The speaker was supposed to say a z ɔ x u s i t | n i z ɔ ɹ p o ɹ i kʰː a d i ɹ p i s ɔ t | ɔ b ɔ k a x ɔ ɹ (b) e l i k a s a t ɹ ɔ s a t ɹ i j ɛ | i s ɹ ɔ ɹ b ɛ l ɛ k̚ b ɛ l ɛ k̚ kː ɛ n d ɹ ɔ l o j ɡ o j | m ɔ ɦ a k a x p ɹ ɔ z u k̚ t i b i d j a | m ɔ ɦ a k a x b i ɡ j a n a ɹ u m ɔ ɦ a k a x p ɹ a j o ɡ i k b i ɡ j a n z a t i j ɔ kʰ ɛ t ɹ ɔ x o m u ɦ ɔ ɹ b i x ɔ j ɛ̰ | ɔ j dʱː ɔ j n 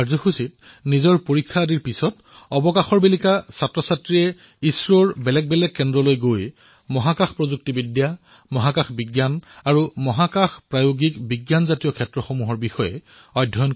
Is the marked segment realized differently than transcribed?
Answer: no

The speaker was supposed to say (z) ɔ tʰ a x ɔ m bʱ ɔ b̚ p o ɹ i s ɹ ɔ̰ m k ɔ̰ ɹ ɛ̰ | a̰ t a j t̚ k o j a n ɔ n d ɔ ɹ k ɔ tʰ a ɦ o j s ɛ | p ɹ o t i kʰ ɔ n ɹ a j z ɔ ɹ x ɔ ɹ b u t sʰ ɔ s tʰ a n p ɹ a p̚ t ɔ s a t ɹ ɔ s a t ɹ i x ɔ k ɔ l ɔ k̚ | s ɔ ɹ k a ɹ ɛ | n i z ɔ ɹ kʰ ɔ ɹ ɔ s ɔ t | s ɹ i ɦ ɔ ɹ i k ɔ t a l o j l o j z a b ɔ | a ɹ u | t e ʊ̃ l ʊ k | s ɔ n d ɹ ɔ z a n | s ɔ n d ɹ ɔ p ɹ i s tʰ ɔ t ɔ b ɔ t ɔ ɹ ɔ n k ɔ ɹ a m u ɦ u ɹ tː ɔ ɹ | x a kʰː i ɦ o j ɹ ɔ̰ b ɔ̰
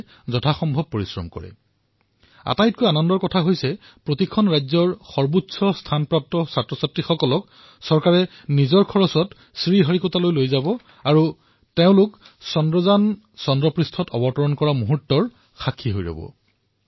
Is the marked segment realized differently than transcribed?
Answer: no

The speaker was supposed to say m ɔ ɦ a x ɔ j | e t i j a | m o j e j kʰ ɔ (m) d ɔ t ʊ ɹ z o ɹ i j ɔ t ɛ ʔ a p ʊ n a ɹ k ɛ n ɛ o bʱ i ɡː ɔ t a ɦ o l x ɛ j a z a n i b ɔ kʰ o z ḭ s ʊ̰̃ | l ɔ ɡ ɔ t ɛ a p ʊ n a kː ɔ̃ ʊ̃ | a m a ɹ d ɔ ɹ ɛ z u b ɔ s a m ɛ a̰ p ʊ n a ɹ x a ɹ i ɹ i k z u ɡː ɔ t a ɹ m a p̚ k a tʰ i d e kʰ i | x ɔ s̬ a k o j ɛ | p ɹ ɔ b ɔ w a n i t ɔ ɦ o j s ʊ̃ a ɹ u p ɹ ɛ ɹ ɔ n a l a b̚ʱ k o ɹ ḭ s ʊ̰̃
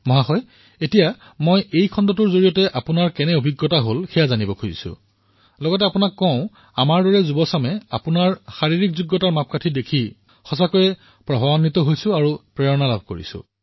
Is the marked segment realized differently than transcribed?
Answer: yes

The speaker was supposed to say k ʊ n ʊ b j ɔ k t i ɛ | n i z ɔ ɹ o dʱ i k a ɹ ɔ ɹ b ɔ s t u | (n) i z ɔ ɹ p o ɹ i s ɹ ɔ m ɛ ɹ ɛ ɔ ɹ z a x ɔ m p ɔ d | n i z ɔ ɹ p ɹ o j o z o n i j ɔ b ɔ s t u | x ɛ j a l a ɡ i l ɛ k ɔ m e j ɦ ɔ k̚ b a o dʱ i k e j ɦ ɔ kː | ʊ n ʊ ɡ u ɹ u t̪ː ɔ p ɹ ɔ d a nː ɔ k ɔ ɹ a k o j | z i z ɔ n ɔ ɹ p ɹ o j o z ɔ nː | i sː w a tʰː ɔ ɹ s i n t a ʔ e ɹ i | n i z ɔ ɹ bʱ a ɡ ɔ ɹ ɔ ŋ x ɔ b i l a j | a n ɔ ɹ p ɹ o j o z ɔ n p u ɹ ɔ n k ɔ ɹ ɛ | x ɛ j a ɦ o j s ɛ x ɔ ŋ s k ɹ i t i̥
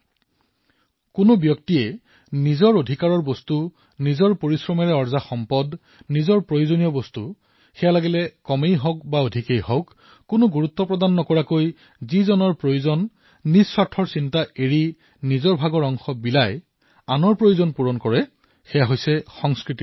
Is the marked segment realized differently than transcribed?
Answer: no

